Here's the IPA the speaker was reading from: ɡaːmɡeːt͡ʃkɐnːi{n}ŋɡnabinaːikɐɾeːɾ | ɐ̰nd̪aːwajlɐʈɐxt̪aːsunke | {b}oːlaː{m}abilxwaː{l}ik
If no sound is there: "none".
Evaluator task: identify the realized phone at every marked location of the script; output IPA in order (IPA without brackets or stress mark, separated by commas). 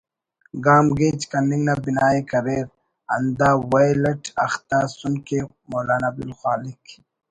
none, m, n, l